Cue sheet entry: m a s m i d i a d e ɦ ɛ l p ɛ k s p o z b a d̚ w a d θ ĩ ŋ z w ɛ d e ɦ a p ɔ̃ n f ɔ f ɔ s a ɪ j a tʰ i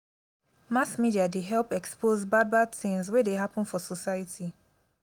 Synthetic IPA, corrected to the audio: m a s m i d i a d e ɦ ɛ l p ɛ k s p o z b a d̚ b a d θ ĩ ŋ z w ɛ d e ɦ a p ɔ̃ n f ɔ s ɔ s a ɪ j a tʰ i